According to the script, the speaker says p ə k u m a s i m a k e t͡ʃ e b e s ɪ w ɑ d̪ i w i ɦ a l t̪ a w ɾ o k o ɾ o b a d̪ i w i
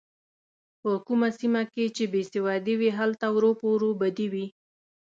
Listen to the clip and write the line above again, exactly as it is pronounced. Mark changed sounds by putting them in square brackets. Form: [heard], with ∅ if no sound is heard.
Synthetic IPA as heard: p ə k u m a s i m a k e t͡ʃ e b e s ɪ w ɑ d̪ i w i ɦ a l t̪ a w ɾ o [p] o ɾ o b a d̪ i w i